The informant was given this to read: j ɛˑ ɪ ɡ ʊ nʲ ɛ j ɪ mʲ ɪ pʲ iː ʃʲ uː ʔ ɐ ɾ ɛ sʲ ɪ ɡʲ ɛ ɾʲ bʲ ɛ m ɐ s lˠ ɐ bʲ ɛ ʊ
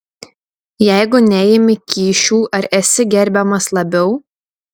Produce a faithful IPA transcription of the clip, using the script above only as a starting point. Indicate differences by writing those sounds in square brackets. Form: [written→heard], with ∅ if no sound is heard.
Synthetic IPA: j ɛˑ ɪ ɡ ʊ nʲ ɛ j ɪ mʲ ɪ [pʲ→kʲ] iː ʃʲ uː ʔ ɐ ɾ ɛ sʲ ɪ ɡʲ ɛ ɾʲ bʲ ɛ m ɐ s lˠ ɐ bʲ ɛ ʊ